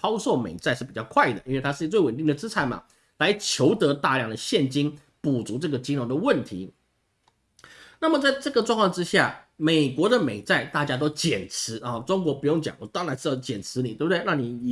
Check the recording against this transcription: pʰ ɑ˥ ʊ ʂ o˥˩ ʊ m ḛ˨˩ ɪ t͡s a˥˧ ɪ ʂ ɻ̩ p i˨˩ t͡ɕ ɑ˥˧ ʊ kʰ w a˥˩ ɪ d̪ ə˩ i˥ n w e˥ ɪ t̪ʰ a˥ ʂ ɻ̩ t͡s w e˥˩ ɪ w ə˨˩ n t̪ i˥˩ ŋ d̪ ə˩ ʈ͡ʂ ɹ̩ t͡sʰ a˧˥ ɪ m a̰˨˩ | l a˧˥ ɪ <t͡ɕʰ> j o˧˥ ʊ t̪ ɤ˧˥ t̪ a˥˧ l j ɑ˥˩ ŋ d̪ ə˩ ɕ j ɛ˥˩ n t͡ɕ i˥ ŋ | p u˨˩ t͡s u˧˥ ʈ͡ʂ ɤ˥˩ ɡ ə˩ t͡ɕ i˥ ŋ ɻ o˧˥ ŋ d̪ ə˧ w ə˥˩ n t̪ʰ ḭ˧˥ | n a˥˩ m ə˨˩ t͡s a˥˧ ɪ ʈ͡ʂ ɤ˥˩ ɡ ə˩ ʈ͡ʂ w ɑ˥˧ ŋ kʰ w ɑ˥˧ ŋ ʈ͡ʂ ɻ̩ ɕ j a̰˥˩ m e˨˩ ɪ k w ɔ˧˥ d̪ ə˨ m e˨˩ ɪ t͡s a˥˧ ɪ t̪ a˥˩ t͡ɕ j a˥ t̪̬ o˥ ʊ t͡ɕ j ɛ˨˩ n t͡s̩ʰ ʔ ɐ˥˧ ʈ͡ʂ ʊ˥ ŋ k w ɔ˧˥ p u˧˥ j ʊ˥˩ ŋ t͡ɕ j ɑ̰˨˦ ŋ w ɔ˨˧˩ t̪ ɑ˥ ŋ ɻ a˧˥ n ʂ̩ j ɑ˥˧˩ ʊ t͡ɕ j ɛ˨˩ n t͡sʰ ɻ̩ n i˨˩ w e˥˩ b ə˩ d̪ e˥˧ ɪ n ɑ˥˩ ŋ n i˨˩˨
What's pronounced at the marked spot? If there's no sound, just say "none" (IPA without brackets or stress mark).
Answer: t͡ɕʰ